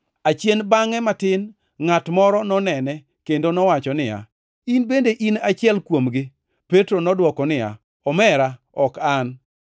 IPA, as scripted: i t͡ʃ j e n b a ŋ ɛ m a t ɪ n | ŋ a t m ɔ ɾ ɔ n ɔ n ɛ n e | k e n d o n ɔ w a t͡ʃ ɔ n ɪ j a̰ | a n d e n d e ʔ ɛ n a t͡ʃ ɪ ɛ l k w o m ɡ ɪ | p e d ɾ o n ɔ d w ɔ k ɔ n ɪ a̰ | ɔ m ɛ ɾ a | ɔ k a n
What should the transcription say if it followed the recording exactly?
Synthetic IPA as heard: a t͡ʃ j e n b a ŋ ɛ m a t ɪ n | ŋ a t m ɔ ɾ ɔ n ɔ n ɛ n ɛ | k e n d o n ɔ w a t͡ʃ ɔ n ɪ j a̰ | i n b e n d e ʔ i n a t͡ʃ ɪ ɛ l k w o m ɡ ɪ | p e t ɾ o n ɔ d w ɔ k ɔ n ɪ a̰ | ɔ m ɛ ɾ a | ɔ k a n